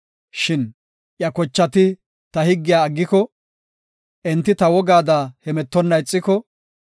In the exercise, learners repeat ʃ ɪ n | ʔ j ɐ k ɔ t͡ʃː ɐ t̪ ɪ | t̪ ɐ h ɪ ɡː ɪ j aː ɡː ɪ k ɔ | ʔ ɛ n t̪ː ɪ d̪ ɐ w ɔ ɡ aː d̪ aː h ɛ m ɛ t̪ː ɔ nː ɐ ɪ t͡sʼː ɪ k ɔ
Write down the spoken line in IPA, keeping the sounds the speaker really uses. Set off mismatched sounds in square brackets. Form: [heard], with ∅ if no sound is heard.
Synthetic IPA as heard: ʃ ɪ n | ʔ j ɐ k ɔ t͡ʃː ɐ t̪ ɪ | t̪ ɐ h ɪ ɡː ɪ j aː ɡː ɪ k ɔ | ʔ ɛ n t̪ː ɪ [t̪] ɐ w ɔ ɡ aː d̪ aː h ɛ m ɛ t̪ː ɔ nː ɐ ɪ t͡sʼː ɪ k ɔ